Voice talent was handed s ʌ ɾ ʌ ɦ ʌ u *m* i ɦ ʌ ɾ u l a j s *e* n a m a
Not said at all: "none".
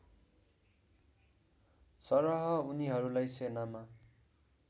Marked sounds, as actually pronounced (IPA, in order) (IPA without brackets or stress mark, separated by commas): n, e